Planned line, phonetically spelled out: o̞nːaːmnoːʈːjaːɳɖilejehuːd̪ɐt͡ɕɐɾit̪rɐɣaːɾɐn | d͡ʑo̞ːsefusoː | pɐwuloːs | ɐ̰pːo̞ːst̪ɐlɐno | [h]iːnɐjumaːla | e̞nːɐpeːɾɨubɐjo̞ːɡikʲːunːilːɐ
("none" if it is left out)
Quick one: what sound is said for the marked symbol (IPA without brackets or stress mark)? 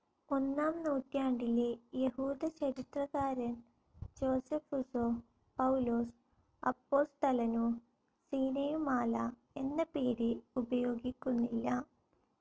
s